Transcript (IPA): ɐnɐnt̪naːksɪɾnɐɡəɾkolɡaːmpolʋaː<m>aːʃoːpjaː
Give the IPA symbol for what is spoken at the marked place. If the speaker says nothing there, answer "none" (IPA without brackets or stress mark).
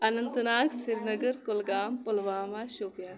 m